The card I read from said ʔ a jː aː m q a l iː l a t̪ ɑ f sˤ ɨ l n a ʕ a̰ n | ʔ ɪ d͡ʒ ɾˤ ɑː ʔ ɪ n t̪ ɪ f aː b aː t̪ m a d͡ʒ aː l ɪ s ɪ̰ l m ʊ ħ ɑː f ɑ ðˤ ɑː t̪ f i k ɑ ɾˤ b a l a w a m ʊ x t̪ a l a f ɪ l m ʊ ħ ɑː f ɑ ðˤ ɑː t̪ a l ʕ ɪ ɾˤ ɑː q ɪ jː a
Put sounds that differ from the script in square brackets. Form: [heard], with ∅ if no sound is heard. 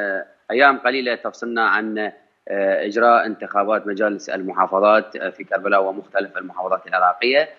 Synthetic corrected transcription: ʔ a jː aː m q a l iː l a t̪ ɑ f sˤ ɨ l n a ʕ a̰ n | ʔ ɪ d͡ʒ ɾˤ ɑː ʔ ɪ n t̪ ɪ [x] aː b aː t̪ m a d͡ʒ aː l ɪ s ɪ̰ l m ʊ ħ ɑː f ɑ ðˤ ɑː t̪ f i k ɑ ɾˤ b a l a w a m ʊ x t̪ a l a f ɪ l m ʊ ħ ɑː f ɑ ðˤ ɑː t̪ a l ʕ ɪ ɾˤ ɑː q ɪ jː a